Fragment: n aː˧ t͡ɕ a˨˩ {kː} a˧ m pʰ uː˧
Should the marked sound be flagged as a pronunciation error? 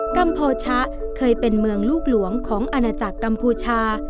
no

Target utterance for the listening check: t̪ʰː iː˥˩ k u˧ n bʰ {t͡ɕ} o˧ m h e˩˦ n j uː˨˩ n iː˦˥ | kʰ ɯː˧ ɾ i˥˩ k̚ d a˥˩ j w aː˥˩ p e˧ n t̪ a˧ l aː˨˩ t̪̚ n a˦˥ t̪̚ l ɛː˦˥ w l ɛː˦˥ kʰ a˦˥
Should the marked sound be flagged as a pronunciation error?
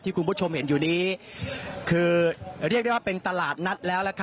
yes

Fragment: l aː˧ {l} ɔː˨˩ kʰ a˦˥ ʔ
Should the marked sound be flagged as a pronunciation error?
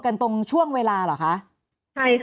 no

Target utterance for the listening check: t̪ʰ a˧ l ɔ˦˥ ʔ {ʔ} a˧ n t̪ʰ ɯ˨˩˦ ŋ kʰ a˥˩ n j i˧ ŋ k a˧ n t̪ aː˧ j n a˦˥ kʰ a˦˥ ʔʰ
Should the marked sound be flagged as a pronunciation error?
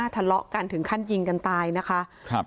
yes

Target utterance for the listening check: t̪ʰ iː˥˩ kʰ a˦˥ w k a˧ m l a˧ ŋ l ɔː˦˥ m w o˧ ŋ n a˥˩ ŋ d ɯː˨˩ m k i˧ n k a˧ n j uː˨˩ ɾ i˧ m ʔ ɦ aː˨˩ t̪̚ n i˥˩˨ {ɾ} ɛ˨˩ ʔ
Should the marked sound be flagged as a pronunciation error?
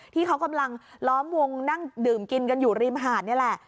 yes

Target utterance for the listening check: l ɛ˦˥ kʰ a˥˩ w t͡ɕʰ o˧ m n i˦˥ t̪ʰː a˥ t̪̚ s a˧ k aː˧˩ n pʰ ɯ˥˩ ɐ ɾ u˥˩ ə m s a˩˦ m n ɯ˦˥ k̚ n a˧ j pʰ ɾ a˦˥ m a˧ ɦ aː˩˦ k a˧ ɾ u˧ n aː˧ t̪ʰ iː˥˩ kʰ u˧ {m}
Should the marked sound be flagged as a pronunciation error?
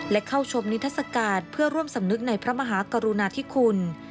yes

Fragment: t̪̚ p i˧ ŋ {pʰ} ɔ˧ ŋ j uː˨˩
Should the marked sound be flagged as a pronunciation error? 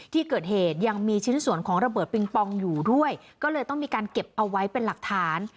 yes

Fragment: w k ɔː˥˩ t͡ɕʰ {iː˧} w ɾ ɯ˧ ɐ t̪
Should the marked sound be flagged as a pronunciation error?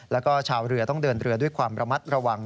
yes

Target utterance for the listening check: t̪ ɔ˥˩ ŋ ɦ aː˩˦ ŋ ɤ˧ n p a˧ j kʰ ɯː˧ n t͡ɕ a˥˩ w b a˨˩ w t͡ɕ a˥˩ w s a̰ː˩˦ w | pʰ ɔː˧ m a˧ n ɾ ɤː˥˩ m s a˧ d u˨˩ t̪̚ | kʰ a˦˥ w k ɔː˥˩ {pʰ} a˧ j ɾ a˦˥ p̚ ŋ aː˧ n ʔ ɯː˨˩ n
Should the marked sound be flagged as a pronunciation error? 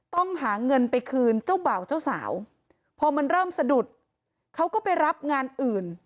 yes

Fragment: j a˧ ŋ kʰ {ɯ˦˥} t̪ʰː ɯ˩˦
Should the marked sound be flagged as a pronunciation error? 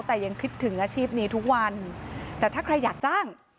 no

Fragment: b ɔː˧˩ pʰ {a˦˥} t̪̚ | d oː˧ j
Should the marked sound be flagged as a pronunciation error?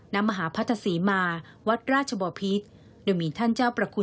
yes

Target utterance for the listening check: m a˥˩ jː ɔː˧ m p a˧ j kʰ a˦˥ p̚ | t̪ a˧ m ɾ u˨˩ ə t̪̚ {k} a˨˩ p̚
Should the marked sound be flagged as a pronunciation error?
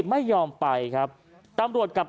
no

